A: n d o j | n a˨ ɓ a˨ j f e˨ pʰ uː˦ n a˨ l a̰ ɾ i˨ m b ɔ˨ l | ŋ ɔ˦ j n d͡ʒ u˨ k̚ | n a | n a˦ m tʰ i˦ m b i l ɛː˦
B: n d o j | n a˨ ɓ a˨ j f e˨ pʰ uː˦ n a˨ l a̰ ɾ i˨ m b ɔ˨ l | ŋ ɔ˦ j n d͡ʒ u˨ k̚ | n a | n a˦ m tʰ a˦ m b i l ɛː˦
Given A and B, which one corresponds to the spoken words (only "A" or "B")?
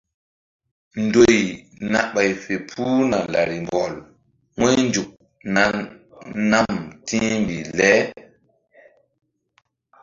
A